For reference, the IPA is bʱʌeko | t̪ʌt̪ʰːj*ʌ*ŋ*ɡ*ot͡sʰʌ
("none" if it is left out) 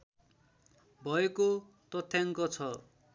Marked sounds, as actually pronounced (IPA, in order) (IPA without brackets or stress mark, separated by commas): a, k